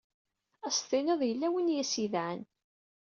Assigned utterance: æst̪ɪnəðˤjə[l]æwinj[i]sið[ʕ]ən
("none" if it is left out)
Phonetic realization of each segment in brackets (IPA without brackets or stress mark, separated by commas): lː, æ, ʕ